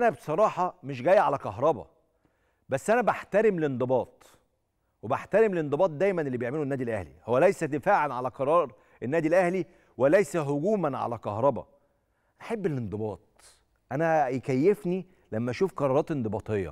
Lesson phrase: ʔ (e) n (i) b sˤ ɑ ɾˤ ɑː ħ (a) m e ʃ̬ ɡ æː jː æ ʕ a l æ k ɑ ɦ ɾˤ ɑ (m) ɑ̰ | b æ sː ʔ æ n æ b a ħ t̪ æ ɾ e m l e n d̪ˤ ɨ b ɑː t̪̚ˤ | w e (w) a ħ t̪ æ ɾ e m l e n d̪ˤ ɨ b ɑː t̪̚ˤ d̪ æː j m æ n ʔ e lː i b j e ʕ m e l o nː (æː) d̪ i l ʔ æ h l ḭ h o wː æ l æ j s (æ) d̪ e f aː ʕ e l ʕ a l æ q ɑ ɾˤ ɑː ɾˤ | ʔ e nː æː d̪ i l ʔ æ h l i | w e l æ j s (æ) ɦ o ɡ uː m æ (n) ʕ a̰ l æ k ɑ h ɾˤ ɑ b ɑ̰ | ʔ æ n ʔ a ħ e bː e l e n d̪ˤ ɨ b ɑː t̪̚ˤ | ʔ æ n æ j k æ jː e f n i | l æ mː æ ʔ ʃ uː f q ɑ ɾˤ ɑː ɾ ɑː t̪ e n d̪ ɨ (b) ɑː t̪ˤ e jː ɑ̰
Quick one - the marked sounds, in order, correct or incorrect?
incorrect: æ, incorrect: æ, incorrect: ɑ, incorrect: b, incorrect: b, correct, correct, correct, correct, correct

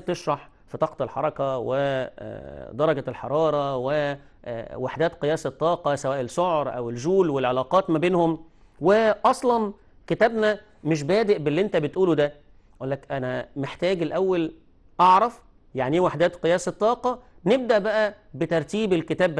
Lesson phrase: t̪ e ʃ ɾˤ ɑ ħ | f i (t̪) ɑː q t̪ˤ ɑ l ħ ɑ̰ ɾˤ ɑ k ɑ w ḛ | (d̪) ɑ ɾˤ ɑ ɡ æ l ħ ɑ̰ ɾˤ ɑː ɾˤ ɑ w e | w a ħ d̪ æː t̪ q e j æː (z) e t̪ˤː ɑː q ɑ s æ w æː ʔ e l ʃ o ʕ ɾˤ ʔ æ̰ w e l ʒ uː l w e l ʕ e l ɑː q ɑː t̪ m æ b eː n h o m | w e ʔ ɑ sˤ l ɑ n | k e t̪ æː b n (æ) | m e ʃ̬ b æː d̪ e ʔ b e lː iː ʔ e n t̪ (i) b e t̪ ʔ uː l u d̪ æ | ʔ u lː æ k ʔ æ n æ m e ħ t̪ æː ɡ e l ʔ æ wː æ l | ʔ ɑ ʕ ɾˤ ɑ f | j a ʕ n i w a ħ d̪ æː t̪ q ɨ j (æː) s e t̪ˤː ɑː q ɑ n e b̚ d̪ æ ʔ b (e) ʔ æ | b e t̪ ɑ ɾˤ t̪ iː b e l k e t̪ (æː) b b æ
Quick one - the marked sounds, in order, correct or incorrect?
correct, correct, incorrect: s, correct, incorrect: æ, correct, incorrect: æ, correct

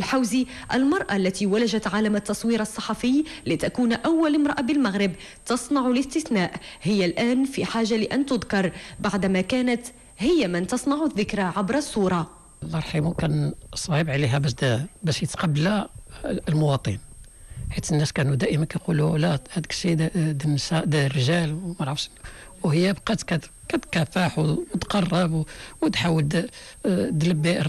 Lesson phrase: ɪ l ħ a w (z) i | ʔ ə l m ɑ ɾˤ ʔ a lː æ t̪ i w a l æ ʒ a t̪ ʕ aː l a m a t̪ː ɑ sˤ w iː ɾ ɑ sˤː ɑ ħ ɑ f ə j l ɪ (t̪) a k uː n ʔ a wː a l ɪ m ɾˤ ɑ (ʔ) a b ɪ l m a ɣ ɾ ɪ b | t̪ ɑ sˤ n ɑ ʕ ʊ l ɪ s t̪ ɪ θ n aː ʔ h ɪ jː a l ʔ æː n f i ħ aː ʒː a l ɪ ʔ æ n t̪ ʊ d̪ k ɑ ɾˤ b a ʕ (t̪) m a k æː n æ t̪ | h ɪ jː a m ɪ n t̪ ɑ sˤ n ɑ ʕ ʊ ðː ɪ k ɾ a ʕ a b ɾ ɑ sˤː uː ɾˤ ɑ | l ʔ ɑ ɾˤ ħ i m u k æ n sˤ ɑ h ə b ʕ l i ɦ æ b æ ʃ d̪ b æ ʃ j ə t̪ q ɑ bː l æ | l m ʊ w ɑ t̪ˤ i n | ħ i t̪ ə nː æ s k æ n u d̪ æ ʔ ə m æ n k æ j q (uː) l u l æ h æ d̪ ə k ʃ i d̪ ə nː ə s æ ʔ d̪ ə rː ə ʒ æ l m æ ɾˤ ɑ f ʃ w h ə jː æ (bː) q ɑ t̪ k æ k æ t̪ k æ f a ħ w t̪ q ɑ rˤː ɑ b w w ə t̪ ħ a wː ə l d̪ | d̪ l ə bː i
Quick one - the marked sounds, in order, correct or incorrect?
correct, correct, correct, incorrect: d̪, incorrect: u, incorrect: b

